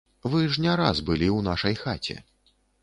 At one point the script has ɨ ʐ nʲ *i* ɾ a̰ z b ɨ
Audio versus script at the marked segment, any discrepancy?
yes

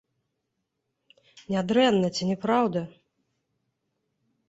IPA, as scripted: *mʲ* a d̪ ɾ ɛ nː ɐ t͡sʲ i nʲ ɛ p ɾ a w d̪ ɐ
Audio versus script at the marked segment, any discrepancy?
yes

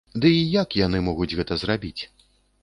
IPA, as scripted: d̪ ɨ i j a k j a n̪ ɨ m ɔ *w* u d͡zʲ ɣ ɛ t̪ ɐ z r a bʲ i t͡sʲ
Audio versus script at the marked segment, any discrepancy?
yes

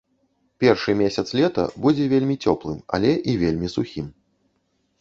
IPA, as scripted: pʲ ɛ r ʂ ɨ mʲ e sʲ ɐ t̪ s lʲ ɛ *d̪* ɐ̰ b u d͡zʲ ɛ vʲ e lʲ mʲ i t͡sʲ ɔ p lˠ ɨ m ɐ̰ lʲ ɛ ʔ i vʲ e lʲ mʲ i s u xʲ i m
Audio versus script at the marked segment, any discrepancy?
yes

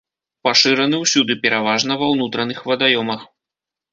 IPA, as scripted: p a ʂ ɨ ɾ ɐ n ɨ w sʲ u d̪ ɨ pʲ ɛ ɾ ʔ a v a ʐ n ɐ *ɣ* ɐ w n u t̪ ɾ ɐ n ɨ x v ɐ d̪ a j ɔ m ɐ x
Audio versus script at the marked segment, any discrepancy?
yes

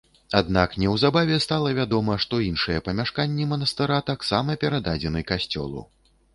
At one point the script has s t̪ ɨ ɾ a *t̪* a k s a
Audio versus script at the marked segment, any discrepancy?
no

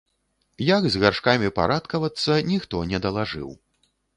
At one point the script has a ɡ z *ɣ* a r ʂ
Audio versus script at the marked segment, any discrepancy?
no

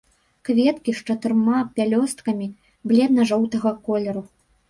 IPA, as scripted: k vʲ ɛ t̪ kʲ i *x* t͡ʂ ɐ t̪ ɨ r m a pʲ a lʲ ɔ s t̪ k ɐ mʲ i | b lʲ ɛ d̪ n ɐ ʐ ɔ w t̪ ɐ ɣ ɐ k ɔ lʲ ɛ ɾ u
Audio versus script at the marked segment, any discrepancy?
yes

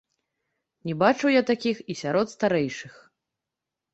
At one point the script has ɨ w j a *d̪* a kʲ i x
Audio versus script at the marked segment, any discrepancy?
yes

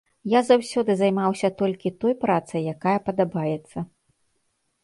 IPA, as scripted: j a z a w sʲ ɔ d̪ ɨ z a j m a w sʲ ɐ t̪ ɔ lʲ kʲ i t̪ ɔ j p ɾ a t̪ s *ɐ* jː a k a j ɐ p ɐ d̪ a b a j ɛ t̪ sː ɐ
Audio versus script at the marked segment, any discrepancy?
no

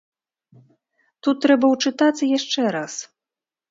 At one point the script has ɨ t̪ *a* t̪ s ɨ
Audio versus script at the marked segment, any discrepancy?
no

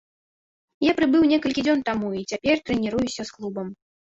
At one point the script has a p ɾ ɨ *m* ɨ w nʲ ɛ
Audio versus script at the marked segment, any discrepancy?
yes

